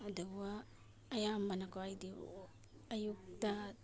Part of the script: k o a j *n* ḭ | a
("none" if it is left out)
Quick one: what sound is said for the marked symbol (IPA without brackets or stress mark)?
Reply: d